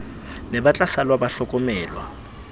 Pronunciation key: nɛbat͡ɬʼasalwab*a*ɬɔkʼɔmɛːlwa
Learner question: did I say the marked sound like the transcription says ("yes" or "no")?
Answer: yes